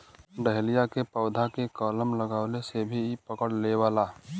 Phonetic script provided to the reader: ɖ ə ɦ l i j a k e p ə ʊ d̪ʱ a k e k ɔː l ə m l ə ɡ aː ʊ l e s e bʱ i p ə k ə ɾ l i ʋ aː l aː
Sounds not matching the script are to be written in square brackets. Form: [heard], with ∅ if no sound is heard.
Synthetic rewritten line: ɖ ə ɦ l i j a k e p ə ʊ d̪ʱ a k e k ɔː l ə m l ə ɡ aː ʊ l e s e bʱ i p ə k ə [ɽ] l [e] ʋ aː l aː